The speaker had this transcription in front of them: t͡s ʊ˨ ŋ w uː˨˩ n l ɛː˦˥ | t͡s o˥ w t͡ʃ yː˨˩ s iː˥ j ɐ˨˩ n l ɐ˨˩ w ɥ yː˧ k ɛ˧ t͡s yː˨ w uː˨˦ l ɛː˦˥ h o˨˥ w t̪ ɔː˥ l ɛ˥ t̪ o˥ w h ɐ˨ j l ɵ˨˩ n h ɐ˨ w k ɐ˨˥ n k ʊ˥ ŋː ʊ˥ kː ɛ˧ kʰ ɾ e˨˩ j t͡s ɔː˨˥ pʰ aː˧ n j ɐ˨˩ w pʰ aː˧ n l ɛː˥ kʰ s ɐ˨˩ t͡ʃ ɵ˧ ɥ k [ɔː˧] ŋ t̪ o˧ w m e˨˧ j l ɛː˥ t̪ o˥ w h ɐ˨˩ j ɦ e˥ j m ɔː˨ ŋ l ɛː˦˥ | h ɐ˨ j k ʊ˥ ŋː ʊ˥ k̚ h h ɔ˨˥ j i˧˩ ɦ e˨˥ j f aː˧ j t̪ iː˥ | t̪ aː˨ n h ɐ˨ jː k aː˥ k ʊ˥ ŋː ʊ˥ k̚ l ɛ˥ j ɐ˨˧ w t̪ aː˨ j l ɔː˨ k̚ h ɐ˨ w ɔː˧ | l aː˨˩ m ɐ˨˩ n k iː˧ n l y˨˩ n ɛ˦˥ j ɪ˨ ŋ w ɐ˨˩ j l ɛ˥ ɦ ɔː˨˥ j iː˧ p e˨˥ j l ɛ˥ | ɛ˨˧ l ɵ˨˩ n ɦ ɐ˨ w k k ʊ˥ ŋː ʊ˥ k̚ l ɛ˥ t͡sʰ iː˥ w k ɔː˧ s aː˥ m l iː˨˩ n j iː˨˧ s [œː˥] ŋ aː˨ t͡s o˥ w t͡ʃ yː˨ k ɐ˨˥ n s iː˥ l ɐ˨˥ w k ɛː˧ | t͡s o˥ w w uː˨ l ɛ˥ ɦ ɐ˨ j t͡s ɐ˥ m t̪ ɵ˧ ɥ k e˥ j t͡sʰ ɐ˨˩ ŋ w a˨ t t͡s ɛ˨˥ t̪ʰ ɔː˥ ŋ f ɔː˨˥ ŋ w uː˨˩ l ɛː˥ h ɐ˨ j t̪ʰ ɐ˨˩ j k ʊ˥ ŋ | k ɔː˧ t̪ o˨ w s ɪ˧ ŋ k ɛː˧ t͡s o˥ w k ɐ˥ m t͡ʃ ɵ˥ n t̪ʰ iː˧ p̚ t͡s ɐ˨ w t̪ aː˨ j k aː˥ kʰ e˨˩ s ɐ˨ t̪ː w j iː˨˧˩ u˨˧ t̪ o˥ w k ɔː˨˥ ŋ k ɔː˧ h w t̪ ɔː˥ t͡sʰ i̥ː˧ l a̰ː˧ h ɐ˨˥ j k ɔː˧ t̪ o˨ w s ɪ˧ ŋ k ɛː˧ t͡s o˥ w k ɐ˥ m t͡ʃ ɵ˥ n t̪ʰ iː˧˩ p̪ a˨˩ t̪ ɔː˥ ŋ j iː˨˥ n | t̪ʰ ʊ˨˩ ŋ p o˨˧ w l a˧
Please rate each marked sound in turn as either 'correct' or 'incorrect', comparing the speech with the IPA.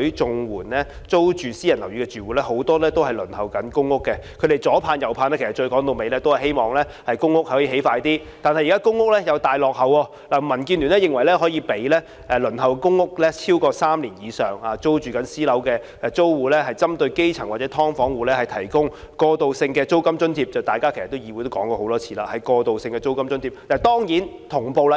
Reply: incorrect, incorrect

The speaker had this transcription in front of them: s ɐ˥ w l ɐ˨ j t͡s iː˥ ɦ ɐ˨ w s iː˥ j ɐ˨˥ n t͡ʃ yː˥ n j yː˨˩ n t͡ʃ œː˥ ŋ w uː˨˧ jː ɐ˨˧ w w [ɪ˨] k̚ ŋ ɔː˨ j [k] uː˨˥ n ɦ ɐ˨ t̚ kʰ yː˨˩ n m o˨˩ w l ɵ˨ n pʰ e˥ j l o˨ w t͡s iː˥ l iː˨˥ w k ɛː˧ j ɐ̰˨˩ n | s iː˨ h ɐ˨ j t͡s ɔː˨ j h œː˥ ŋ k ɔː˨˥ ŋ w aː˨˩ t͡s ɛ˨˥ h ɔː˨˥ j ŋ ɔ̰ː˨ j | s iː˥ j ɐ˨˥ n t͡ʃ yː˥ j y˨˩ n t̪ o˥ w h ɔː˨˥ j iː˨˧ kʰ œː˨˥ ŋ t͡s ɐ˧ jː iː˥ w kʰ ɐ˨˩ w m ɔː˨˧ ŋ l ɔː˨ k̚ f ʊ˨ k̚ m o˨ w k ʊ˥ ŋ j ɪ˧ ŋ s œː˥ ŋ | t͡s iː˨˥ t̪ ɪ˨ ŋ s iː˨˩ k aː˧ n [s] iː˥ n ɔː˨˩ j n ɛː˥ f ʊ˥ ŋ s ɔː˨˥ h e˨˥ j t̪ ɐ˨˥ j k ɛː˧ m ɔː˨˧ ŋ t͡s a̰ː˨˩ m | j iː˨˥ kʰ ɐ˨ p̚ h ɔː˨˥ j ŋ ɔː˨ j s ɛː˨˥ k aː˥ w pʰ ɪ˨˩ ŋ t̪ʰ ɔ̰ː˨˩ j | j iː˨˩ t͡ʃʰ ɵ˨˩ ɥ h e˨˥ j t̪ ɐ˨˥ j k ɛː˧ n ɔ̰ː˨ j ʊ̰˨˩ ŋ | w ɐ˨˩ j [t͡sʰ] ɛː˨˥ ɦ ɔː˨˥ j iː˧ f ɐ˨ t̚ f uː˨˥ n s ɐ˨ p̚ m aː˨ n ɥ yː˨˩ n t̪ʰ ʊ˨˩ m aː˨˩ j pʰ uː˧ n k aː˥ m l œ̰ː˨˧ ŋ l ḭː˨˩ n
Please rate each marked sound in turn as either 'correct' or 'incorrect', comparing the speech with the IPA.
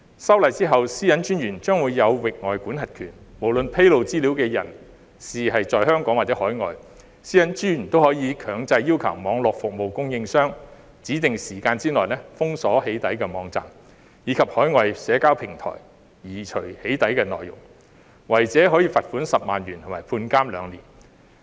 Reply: correct, correct, incorrect, incorrect

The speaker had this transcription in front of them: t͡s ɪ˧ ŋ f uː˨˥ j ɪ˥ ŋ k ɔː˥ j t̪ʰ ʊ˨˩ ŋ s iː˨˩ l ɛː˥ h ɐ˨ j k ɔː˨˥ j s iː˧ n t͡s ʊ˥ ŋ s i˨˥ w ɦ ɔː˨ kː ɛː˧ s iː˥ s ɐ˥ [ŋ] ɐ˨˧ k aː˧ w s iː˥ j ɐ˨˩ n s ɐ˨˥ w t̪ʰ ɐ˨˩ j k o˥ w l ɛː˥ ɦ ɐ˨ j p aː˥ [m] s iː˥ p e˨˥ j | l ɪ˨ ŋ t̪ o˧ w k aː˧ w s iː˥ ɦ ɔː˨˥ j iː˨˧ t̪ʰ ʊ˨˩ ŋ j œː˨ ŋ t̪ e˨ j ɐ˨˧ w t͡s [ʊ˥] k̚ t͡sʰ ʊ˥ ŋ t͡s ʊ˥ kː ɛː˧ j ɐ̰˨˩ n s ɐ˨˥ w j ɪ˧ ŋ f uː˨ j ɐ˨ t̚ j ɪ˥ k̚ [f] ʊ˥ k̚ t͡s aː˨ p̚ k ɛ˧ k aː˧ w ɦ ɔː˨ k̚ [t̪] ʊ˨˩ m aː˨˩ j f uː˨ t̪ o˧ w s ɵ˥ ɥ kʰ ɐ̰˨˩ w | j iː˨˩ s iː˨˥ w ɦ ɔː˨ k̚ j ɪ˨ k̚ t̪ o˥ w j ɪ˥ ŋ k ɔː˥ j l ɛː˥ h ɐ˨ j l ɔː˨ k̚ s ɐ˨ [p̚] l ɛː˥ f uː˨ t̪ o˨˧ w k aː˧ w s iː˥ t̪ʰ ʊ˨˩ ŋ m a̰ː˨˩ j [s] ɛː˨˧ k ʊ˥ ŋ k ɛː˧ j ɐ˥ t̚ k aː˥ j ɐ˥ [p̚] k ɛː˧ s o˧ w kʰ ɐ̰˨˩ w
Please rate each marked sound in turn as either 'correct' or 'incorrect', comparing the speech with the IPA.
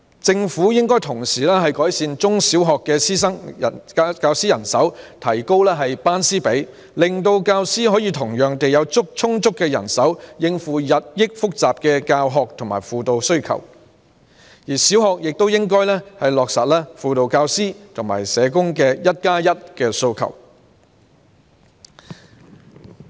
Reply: correct, incorrect, correct, correct, incorrect, incorrect, correct, incorrect

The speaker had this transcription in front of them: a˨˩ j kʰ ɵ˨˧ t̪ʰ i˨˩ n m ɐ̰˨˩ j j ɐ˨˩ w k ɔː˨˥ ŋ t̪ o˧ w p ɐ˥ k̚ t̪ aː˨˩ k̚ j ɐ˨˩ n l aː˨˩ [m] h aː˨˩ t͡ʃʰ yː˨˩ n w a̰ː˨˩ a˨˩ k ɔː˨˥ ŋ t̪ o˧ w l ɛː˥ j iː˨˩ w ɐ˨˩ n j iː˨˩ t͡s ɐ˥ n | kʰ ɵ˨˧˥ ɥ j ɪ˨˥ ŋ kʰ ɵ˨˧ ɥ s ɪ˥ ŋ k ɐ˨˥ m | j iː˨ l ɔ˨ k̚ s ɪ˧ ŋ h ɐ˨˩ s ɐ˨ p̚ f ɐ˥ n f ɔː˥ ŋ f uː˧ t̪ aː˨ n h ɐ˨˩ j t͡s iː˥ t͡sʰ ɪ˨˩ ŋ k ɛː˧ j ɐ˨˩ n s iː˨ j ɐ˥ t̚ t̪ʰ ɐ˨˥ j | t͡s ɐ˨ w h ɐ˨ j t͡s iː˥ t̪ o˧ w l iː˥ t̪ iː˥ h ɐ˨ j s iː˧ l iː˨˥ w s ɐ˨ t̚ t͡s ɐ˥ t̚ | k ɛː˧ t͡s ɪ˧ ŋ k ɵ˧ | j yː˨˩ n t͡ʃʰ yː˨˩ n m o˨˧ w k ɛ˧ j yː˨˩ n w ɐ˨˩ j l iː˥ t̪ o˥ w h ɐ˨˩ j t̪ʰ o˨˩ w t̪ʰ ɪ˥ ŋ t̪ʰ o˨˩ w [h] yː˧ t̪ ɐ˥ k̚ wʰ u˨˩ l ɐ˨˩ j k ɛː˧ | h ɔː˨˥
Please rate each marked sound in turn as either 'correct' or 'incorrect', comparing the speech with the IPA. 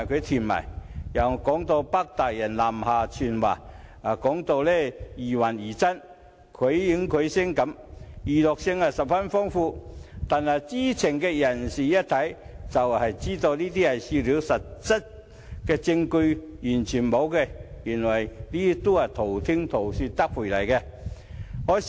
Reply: correct, incorrect

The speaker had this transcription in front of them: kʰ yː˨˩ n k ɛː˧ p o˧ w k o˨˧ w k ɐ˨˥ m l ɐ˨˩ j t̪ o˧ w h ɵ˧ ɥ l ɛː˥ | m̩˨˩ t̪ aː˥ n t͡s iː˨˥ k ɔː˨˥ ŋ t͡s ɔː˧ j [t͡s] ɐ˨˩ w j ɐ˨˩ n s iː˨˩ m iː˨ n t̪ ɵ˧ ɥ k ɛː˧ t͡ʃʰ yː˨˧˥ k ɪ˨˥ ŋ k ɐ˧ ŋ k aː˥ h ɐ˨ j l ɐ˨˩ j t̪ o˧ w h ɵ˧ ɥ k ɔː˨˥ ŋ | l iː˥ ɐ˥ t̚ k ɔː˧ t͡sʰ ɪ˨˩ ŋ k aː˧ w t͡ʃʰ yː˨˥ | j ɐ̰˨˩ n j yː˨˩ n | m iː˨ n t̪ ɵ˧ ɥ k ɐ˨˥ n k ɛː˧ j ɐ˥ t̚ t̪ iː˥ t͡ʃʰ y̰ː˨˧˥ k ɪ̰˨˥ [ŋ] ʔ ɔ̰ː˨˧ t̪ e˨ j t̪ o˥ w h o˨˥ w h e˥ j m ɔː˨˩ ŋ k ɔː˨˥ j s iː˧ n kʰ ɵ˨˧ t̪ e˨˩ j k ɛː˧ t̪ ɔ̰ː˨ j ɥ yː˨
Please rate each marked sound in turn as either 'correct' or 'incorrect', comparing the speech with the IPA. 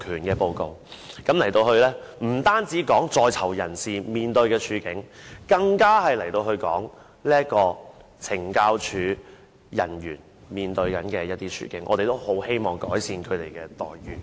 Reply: incorrect, correct

